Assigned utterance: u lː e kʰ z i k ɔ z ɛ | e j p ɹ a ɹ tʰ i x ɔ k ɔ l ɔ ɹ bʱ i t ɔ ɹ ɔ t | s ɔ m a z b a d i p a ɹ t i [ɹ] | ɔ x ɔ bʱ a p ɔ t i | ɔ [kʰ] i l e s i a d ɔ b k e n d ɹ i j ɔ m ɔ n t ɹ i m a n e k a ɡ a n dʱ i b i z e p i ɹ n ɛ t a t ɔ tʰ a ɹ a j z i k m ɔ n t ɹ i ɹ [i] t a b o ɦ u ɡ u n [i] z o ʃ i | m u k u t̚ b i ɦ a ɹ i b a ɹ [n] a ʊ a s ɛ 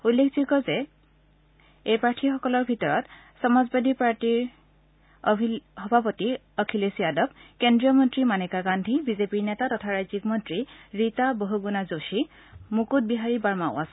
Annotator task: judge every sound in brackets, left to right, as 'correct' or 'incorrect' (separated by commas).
correct, correct, correct, incorrect, incorrect